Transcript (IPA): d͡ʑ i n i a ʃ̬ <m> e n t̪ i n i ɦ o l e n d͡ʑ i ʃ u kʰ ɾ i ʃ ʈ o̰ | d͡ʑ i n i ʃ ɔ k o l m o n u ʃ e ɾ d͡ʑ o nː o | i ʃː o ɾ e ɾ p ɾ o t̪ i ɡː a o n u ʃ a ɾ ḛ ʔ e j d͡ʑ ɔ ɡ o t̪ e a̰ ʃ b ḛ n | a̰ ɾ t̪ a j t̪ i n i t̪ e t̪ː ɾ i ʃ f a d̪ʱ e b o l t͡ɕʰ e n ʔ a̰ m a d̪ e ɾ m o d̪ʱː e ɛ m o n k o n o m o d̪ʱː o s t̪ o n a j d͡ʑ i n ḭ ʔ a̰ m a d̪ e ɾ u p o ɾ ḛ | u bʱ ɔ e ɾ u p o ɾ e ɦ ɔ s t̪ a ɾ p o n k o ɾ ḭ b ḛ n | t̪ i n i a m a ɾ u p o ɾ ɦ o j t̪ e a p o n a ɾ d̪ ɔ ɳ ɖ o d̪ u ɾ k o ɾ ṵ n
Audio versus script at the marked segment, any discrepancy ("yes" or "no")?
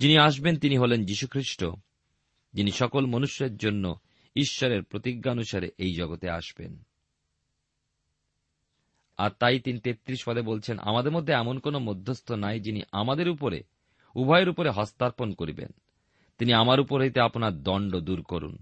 yes